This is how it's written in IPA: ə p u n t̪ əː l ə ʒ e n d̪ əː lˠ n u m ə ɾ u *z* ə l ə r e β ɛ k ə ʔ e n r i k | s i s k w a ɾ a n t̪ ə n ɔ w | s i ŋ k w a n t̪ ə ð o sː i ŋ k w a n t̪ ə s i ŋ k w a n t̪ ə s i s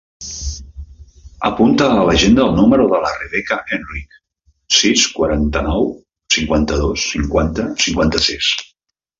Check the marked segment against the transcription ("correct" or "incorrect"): incorrect